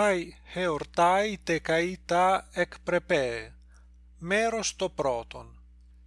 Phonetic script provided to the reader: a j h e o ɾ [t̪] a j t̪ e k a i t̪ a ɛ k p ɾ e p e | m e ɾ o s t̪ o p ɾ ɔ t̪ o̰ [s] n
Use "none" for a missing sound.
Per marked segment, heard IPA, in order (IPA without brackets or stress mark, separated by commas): t̪, none